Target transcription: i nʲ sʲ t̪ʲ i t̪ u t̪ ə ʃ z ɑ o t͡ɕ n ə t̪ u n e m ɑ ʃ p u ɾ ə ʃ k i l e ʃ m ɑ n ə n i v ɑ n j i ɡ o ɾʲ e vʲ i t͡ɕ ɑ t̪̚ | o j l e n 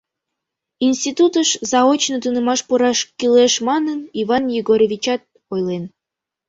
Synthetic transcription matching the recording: i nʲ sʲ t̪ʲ i t̪ u t̪ ə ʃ z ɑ o t͡ɕ n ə t̪ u n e m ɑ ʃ p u ɾ ɑ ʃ k i l e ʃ m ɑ n ə n i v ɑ n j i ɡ o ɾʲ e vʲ i t͡ɕ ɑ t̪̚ | o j l e n

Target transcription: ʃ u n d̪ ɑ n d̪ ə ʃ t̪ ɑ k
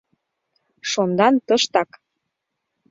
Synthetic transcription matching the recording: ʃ o n d̪ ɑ n t̪ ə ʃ t̪ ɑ k

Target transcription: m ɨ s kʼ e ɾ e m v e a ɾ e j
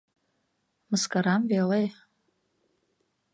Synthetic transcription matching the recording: m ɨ s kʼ a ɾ a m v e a l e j

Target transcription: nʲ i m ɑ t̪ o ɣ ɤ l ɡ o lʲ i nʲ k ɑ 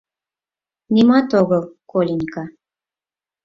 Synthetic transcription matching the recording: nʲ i m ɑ t̪ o ɣ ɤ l k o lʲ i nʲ k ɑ

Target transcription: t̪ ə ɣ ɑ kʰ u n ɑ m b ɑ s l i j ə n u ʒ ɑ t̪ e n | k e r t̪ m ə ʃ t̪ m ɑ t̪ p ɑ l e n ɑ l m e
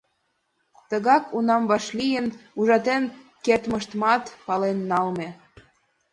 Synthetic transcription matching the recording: t̪ ə ɣ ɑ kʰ u n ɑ m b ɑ ʃ l i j ə n u ʒ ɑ t̪ e n | k e r t̪ m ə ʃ t̪ m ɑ t̪ p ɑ l e nː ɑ l m e

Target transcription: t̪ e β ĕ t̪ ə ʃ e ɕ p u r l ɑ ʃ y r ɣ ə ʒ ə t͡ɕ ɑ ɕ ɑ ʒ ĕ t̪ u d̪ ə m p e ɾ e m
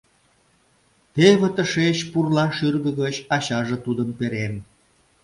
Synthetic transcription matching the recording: t̪ e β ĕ t̪ ə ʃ e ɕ p u r l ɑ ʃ y r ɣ ə ɣ ə t͡ɕ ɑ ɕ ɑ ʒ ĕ t̪ u d̪ ə m p e ɾ e m

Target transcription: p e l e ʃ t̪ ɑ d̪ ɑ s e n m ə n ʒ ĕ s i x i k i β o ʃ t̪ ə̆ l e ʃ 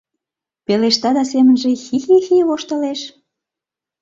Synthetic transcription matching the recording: p e l e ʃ t̪ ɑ d̪ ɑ s e m ə n ʒ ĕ x i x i x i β o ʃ t̪ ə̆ l e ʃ

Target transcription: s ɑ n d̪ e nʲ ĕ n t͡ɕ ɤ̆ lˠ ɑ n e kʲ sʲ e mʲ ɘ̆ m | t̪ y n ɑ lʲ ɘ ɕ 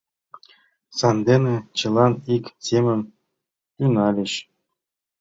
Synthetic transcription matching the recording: s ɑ n d̪ e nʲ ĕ t͡ɕ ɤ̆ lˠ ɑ n i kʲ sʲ e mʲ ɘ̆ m | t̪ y n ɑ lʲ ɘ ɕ

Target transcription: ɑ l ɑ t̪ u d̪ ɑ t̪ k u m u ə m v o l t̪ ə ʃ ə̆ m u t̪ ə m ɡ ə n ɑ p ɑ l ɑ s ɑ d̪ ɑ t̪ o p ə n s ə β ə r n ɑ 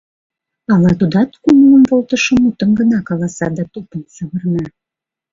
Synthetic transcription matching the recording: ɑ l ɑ t̪ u d̪ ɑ t̪ k u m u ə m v o l t̪ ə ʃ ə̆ m u t̪ ə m ɡ ə n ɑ k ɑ l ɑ s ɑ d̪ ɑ t̪ o p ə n s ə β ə r n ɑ

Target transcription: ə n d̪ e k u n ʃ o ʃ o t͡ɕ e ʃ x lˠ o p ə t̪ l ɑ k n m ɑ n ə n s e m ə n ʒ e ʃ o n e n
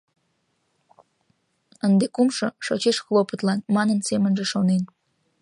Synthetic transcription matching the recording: ə n d̪ e k u m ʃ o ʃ o t͡ɕ e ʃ x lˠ o p ə t̪ l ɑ n m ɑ n ə n s e m ə n ʒ e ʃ o n e n

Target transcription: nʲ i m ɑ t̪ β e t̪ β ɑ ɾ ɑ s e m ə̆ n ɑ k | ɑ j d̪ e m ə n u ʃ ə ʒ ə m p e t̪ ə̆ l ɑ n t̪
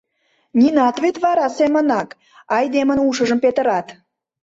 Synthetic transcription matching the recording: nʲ i n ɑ t̪ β e t̪ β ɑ ɾ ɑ s e m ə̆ n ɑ k | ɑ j d̪ e m ə n u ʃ ə ʒ ə m p e t̪ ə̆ ɾ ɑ t̪

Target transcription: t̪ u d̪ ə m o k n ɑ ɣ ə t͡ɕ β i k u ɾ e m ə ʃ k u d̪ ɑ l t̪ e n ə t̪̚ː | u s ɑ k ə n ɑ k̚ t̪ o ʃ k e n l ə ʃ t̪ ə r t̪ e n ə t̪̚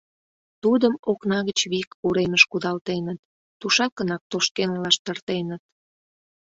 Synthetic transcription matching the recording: t̪ u d̪ ə m o k n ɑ ɣ ə t͡ɕ β i k u ɾ e m ə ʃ k u d̪ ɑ l t̪ e n ə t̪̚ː | u ʃ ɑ k ə n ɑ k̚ t̪ o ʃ k e n l ɑ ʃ t̪ ə r t̪ e n ə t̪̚

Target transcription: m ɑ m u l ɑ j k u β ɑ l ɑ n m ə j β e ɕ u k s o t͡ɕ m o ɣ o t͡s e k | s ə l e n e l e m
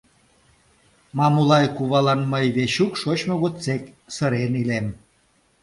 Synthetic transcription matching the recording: m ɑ m u l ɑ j k u β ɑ l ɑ n m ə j β e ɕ u k ʃ o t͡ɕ m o ɣ o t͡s e k | s ə ɾ e n i l e m

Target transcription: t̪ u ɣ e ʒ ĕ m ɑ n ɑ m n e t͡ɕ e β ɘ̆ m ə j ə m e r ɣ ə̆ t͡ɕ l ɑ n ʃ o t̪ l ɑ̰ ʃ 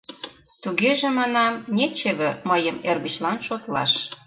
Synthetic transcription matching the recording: t̪ u ɣ e ʒ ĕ m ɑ n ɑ m n e t͡ɕ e β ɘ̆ m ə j ə m e r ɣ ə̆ t͡ɕ l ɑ n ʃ o t̪ l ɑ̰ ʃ

